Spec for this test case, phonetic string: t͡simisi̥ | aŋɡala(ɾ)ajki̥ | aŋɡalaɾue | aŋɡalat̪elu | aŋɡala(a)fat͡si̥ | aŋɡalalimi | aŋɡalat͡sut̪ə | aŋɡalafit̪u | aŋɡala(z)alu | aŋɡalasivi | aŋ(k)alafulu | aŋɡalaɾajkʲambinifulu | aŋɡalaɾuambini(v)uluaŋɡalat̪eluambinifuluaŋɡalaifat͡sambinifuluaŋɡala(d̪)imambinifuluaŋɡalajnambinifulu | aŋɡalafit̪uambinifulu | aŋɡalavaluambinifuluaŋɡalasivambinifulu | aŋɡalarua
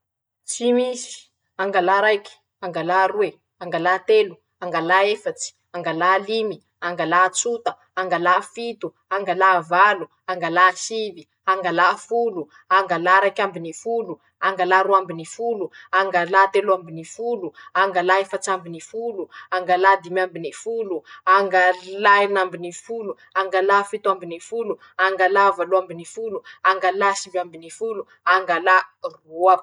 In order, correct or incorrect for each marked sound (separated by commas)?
correct, incorrect, incorrect, incorrect, incorrect, correct